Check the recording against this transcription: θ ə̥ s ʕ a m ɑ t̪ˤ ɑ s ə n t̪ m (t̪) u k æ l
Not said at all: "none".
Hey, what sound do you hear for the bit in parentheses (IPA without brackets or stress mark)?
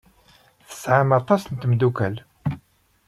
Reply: d̪